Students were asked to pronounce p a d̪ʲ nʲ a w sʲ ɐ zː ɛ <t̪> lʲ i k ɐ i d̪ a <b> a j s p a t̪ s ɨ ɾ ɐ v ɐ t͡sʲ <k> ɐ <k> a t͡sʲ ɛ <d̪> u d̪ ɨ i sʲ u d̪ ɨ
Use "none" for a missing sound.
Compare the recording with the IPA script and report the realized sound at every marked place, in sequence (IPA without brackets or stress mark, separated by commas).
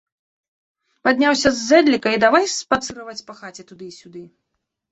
d̪, v, p, x, t̪